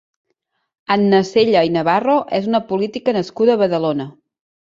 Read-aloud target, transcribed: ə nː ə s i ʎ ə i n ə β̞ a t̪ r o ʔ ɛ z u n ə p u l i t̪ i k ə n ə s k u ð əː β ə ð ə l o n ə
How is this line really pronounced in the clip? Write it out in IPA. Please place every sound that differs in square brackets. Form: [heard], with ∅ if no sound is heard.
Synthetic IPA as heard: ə nː ə s [e] ʎ ə i n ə β̞ a [∅] r o ʔ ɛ z u n ə p u l i t̪ i k ə n ə s k u ð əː β ə ð ə l o n ə